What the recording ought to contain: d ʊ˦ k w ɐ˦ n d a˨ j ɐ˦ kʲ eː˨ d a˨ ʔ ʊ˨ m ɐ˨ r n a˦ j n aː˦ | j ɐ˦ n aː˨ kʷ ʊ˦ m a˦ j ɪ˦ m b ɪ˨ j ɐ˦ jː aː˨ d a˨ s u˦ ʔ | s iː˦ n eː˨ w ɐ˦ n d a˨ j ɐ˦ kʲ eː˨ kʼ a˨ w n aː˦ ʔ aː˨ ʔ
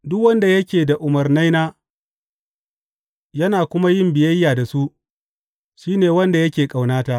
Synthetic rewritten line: d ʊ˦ k w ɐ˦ n d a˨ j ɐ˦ kʲ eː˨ d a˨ ʔ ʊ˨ m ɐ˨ r n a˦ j n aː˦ | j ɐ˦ n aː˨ kʷ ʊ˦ m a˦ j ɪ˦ m b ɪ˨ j ɐ˦ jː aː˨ d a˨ s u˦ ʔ | ʃ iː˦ n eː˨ w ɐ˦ n d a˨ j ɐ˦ kʲ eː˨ kʼ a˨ w n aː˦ t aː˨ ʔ

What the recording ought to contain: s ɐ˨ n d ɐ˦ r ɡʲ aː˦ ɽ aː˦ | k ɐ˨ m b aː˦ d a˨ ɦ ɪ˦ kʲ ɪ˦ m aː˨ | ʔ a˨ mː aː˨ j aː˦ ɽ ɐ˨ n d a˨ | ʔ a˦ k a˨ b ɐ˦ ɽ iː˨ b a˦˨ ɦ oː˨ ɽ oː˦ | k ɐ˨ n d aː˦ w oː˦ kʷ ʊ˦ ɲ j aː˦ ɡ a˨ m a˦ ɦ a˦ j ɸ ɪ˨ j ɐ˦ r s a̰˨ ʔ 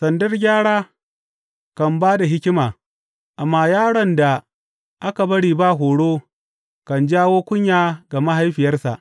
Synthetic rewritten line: s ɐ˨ n d ɐ˦ r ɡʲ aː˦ ɽ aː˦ | k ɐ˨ m b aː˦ d a˨ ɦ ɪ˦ kʲ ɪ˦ m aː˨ | ʔ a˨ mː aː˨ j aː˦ ɽ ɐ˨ n d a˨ | ʔ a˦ k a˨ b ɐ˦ ɽ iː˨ b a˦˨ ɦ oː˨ ɽ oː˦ | k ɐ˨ n d͡ʒ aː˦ w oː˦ kʷ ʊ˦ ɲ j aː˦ ɡ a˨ m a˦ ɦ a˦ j ɸ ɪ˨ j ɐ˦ r s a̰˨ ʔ

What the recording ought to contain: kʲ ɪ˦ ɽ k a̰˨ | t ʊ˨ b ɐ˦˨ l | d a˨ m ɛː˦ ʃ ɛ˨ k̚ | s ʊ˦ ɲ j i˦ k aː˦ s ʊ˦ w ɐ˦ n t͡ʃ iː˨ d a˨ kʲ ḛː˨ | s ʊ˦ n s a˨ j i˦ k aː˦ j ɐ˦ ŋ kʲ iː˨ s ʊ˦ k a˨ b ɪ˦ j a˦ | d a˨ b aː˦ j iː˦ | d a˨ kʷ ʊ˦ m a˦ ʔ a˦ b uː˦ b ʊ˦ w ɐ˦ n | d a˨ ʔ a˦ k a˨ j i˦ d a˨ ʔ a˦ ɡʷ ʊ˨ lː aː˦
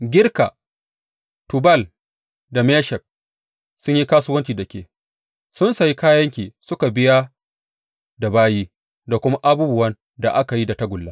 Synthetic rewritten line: ɡʲ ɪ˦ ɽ k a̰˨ | t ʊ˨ b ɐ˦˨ l | d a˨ m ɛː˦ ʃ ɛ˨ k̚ | s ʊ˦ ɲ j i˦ k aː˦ s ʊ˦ w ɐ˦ n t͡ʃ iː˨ d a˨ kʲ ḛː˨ | s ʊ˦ n s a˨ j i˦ k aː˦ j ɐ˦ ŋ kʲ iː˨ s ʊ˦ k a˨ b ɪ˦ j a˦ | d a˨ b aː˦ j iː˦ | d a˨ kʷ ʊ˦ m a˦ ʔ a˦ b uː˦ b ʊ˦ w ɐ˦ n | d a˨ ʔ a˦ k a˨ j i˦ d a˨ t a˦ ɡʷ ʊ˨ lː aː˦

